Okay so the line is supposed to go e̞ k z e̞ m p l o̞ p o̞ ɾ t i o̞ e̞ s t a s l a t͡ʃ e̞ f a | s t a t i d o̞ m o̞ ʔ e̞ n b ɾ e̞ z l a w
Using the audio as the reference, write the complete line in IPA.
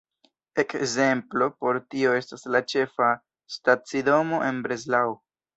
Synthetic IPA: e̞ k z e̞ m p l o̞ p o̞ ɾ t i o̞ e̞ s t a s l a t͡ʃ e̞ f a | s t a t͡s i d o̞ m o̞ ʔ e̞ n b ɾ e̞ z l a w